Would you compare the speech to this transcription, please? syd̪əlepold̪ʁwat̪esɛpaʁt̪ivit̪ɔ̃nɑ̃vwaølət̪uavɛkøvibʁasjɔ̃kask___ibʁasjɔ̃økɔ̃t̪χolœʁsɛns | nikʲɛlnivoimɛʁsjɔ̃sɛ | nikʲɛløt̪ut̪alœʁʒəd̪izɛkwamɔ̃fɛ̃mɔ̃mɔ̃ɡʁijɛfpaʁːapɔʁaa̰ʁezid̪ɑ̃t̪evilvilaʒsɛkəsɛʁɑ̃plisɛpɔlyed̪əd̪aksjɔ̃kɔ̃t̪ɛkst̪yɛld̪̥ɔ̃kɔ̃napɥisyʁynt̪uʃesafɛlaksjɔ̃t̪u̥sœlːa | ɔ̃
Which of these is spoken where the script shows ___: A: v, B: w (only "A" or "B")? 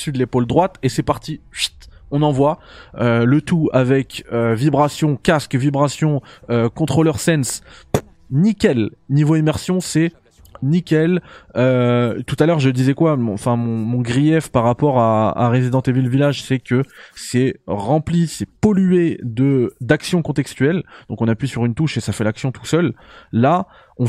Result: A